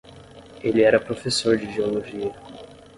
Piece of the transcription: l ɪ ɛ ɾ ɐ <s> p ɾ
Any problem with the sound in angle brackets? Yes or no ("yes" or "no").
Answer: yes